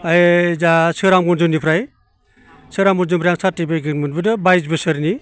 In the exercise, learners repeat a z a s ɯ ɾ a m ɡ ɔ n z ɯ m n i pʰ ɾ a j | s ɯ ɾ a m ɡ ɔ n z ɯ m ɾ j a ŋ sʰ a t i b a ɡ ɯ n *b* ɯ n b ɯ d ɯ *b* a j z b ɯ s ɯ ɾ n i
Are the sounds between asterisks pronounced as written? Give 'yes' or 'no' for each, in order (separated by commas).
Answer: no, yes